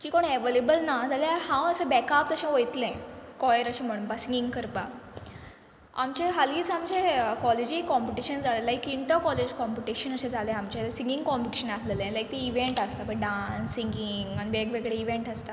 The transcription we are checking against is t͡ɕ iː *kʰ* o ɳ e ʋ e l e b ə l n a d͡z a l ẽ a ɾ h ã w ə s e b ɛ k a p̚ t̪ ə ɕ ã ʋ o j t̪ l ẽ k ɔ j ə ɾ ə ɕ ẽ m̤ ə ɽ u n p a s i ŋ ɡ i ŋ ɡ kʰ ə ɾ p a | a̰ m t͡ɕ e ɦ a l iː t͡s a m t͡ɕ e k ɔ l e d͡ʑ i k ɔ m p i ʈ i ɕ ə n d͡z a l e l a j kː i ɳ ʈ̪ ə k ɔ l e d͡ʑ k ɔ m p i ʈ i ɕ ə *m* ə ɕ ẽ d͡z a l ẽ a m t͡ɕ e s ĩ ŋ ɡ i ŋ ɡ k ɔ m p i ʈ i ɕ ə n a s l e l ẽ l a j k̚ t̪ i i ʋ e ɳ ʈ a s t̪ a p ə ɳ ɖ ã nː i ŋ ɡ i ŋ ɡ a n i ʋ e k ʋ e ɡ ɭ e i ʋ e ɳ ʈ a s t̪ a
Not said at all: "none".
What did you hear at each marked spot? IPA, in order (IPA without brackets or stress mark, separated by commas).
k, n